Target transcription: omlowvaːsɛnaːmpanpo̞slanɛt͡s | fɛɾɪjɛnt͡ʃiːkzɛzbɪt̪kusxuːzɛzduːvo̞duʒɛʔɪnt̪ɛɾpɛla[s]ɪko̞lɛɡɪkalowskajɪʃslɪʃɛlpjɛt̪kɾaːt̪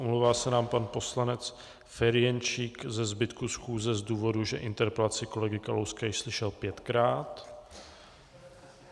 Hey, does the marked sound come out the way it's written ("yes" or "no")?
no